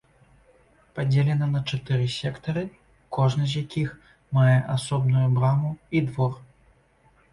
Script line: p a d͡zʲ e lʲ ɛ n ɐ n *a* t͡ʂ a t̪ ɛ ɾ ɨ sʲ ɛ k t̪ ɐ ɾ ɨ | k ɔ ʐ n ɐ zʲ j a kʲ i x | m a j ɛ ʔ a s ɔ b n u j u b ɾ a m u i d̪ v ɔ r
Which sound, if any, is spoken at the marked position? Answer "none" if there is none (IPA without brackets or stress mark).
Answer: ɐ